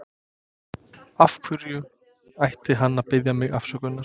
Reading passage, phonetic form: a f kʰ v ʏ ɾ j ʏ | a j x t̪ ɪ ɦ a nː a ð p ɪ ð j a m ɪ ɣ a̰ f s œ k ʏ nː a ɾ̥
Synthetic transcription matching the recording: a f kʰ v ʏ ɾ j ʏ | a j h t̪ ɪ ɦ a nː a ð p ɪ ð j a m ɪ ɣ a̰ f s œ k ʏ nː a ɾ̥